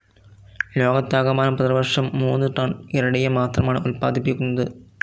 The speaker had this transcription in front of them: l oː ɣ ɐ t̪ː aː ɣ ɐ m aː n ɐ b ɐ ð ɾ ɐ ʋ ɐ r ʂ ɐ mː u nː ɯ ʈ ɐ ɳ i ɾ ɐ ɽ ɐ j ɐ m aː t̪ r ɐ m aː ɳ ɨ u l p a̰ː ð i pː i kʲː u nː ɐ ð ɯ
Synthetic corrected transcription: l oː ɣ ɐ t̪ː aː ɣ ɐ m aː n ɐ p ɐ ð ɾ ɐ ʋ ɐ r ʂ ɐ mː uː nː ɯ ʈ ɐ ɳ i ɾ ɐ ɽ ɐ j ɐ m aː t̪ r ɐ m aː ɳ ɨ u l p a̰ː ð i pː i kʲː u nː ɐ ð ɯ

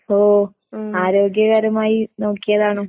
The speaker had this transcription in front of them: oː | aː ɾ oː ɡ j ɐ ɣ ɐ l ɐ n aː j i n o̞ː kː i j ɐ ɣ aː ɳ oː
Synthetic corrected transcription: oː | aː ɾ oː ɡ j ɐ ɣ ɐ ɾ ɐ m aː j i n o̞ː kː i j ɐ ð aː ɳ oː

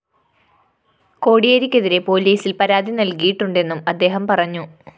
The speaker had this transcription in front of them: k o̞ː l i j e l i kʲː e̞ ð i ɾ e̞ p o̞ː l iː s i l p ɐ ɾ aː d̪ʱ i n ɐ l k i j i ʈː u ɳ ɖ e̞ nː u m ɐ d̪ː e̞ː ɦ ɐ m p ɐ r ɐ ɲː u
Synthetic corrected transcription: k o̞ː ɽ i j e ɾ i kʲː e̞ ð i ɾ e̞ p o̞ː l iː s i l p ɐ ɾ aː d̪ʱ i n ɐ l k i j i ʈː u ɳ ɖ e̞ nː u m ɐ d̪ː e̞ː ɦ ɐ m p ɐ r ɐ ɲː u

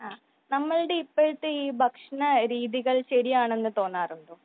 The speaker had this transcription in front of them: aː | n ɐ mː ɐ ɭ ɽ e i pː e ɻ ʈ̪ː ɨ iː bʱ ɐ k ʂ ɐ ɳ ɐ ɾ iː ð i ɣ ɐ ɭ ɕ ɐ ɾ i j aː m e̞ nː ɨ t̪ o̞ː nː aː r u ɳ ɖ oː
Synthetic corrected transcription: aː | n ɐ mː ɐ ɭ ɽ e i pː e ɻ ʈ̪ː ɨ iː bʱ ɐ k ʂ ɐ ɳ ɐ ɾ iː ð i ɣ ɐ ɭ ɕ ɐ ɾ i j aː ɳ e̞ nː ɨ t̪ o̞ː nː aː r u ɳ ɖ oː

